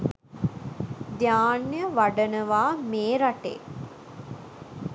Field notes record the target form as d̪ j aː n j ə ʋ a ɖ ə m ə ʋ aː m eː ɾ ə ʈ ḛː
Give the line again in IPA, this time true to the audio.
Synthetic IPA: d̪ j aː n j ə ʋ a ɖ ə n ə ʋ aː m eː ɾ a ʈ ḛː